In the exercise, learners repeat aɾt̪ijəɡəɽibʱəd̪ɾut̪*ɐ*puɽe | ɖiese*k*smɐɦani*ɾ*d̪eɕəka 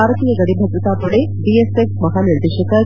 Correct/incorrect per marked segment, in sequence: incorrect, correct, correct

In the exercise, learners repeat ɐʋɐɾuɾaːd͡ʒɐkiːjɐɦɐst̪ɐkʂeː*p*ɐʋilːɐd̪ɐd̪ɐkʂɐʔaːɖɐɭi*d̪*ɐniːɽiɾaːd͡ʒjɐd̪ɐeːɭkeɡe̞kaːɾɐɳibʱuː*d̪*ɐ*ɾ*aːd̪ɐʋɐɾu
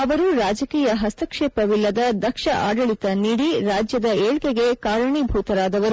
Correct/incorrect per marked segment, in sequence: correct, incorrect, incorrect, correct

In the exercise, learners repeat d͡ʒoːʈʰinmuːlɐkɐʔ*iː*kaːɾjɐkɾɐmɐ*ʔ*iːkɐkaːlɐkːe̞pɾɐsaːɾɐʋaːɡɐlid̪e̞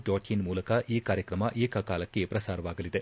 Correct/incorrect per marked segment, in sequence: correct, correct

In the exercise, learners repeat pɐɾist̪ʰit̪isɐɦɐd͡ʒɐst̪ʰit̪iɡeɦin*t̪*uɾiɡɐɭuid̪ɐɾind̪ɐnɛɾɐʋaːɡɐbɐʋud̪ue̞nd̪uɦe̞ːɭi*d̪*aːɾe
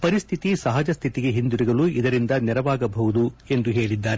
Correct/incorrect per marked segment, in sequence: incorrect, incorrect

